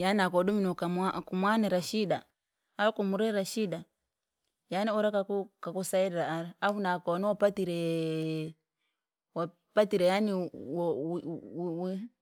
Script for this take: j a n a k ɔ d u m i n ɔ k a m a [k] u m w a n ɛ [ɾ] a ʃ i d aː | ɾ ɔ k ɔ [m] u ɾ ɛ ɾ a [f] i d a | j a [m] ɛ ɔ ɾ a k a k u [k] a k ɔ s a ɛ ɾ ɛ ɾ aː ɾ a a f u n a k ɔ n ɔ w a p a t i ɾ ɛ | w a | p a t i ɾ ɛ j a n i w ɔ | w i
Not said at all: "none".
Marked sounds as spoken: k, ɾ, m, ʃ, n, k

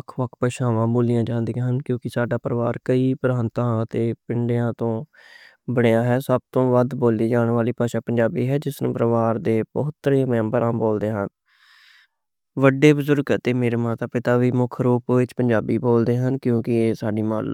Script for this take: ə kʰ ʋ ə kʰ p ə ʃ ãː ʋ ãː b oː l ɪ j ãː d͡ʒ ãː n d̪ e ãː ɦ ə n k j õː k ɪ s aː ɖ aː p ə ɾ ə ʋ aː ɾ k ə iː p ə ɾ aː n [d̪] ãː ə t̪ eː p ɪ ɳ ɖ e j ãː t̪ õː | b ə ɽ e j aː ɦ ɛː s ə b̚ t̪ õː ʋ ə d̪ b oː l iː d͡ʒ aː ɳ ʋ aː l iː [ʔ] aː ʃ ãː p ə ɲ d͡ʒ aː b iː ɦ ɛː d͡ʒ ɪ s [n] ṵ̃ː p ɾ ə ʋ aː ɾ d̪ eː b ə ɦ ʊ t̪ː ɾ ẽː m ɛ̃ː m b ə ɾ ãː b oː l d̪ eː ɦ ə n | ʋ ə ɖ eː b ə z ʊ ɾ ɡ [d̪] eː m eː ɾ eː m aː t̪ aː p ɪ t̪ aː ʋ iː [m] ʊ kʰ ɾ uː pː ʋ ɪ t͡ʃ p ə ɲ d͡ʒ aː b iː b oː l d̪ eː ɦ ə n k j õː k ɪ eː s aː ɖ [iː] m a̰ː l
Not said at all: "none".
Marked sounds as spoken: t̪, p, n, t̪, m, iː

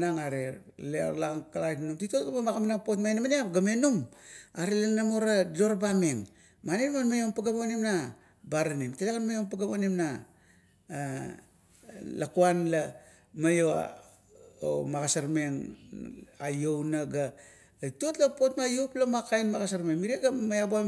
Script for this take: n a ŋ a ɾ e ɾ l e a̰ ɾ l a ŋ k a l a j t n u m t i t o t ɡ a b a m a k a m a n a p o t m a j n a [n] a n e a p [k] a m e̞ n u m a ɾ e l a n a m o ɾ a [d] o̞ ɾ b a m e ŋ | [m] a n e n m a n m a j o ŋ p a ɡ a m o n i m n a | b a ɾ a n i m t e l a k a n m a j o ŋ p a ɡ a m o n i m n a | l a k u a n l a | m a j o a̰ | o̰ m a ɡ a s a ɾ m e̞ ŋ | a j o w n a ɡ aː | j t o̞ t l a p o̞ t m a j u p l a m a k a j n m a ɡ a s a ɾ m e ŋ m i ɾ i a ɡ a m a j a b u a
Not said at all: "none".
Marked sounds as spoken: m, ɡ, d, m

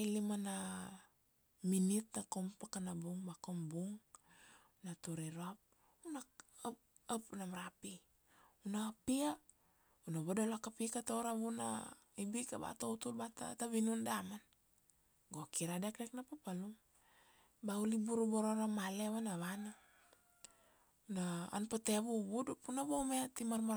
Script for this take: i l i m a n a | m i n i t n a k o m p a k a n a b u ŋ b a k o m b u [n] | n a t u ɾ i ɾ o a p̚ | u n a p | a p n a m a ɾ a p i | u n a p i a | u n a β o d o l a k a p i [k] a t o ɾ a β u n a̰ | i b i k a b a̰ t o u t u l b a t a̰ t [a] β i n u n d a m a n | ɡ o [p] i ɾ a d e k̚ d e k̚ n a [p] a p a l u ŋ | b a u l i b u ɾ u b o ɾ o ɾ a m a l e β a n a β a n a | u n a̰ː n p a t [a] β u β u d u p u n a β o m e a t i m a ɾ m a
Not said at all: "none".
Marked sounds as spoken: ŋ, k, a, k, p, e

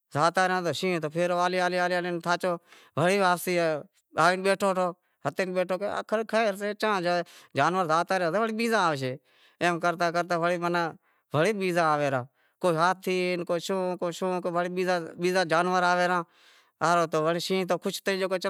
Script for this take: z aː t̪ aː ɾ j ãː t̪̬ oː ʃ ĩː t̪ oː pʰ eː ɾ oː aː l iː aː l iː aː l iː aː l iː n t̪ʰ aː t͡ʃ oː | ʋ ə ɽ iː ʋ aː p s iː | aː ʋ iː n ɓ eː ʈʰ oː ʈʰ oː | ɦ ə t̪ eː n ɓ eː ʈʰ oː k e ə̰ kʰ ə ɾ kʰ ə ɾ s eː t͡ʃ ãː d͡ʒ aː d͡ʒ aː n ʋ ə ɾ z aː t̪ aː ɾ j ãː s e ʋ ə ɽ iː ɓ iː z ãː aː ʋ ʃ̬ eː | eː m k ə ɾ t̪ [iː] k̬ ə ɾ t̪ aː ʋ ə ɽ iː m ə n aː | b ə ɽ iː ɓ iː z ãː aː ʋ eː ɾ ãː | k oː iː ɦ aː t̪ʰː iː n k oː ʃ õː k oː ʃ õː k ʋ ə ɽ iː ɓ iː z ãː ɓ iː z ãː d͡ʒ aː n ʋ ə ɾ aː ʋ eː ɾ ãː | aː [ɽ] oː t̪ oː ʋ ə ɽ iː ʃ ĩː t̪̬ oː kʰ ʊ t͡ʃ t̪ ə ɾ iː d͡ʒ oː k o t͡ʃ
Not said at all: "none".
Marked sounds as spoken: aː, ɾ

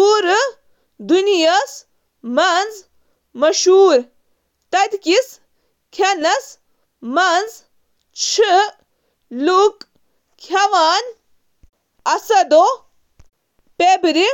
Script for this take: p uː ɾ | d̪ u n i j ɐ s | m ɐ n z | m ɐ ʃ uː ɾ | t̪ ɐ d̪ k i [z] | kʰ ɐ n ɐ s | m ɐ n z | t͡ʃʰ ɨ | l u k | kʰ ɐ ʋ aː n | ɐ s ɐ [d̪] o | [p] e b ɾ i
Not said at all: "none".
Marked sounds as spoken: s, d̪, p

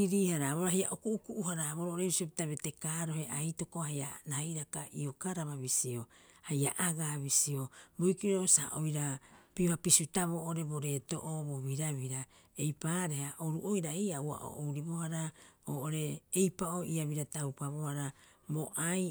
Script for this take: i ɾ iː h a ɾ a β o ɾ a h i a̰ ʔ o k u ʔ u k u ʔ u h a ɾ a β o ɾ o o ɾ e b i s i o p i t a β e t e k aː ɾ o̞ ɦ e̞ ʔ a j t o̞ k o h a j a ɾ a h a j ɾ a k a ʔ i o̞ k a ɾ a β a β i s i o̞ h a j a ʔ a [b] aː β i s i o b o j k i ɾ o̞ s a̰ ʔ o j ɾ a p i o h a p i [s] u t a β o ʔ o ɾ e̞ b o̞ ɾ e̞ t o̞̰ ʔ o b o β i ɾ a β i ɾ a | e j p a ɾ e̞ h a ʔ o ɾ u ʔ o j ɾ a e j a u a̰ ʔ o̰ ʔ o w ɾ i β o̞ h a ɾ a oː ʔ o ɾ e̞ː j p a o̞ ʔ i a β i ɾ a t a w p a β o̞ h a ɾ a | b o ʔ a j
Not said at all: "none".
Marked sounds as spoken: ɡ, s

